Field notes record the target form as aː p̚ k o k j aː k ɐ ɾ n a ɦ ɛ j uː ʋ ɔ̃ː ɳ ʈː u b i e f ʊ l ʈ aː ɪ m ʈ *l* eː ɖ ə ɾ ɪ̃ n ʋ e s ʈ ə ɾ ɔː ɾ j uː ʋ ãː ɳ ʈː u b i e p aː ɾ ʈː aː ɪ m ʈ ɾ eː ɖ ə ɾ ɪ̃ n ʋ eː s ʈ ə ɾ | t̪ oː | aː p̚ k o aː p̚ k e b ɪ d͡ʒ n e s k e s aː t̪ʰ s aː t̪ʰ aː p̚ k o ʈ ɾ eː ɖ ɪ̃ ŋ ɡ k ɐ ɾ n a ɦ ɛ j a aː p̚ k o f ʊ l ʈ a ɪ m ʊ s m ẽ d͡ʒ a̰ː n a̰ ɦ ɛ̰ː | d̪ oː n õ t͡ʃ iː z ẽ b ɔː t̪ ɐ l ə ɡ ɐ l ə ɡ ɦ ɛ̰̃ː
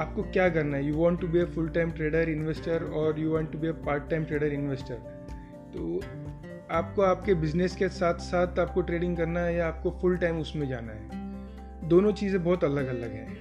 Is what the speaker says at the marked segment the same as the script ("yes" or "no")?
no